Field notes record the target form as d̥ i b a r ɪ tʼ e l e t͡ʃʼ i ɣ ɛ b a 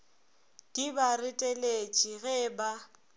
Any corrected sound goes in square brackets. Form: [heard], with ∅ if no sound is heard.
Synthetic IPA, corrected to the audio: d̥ i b a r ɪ tʼ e l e t͡ʃʼ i ɣ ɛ b a